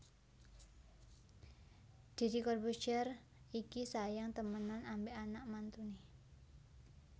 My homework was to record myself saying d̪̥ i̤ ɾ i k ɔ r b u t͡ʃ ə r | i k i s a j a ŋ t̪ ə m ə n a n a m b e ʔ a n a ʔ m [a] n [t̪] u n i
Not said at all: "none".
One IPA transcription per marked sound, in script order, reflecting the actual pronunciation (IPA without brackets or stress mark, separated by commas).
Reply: a, t̪